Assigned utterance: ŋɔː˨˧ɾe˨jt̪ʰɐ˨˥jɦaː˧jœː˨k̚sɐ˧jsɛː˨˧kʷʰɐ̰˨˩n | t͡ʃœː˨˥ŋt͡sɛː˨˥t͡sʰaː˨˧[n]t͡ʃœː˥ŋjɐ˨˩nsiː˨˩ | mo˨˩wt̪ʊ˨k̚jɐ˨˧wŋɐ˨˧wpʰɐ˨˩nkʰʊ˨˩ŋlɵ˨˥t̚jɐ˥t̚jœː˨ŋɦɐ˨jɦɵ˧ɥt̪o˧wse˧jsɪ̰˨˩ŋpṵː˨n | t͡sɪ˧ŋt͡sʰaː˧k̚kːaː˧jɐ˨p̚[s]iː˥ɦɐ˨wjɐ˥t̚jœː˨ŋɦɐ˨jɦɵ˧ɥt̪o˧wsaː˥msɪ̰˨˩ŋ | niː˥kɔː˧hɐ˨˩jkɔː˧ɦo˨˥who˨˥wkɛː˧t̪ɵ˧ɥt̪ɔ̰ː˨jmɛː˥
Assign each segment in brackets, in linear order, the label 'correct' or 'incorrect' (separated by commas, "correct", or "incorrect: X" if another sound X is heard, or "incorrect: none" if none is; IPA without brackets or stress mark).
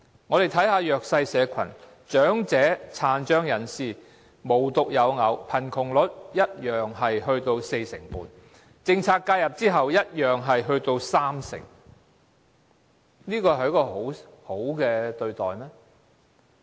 correct, incorrect: t͡s